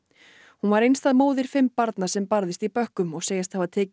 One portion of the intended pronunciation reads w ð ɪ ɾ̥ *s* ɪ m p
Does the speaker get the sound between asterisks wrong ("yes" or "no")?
yes